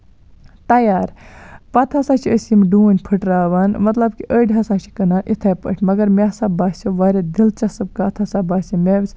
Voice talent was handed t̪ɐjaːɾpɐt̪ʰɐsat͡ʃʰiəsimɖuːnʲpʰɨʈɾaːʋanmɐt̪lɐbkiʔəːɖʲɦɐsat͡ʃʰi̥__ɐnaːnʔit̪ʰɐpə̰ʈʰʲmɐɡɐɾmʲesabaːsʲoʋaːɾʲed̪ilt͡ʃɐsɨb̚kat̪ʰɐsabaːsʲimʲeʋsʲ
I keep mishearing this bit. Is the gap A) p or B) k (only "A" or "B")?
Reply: B